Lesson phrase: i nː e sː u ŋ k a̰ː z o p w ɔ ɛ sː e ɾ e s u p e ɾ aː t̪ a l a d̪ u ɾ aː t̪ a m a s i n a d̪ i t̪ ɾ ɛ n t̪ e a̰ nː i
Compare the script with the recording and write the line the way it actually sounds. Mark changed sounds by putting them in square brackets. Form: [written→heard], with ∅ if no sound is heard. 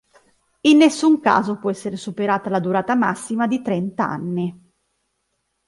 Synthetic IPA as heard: i nː e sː u ŋ k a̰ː z o p w ɔ ɛ sː e ɾ e s u p e ɾ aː t̪ a l a d̪ u ɾ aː t̪ a m a [s→sː] i [n→m] a d̪ i t̪ ɾ ɛ n t̪ [e→a] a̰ nː i